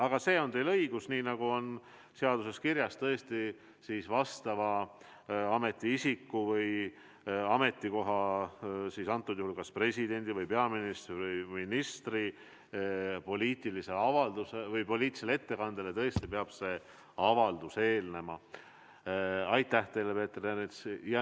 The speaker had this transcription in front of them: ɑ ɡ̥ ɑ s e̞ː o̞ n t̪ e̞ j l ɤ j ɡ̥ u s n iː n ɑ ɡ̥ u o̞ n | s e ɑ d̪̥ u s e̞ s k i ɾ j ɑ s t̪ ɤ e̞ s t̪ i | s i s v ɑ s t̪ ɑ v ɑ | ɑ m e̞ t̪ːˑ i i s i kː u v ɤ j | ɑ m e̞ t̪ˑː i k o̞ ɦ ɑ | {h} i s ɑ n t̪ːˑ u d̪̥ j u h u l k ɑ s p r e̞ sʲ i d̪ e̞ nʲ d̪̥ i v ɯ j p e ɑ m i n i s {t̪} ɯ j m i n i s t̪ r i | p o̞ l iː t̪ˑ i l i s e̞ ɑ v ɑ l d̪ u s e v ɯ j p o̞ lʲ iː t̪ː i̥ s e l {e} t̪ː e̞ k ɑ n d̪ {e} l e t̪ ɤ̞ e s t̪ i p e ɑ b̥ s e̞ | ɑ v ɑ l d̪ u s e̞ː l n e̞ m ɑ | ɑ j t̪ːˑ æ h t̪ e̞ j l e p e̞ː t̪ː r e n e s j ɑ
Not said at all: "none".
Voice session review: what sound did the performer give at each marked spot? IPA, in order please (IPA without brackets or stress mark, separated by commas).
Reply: s, t̪, e, e